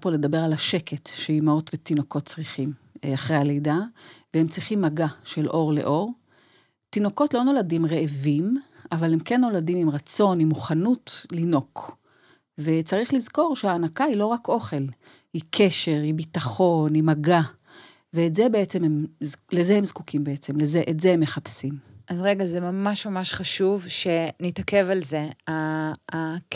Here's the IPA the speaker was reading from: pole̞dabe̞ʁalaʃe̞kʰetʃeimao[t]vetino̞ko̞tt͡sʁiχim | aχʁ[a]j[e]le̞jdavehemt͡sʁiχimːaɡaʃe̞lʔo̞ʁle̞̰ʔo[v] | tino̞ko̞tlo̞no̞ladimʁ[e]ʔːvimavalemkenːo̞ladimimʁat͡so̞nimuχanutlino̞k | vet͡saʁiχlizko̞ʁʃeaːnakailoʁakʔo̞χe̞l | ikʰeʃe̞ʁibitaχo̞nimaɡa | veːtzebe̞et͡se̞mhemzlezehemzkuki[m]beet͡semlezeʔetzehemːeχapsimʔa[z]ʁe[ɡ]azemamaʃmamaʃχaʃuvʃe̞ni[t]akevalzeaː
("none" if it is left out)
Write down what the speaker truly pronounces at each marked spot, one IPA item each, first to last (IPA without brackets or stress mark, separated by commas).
t, e, a, ʁ, e, m, z, ɡ, t